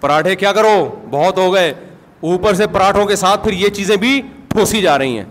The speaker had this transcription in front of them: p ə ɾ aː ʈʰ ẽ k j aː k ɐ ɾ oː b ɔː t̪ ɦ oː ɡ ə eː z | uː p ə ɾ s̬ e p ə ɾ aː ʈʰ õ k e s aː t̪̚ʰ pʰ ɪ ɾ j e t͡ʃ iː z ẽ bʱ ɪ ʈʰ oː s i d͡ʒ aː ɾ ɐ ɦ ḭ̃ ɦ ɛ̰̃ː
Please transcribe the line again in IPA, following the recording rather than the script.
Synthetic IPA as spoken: p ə ɾ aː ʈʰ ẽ k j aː k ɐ ɾ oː b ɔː t̪ ɦ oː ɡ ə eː | uː p ə ɾ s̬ e p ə ɾ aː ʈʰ õ k e s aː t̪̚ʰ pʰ ɪ ɾ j e t͡ʃ iː z ẽ bʱ i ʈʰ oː s i d͡ʒ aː ɾ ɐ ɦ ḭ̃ ɦ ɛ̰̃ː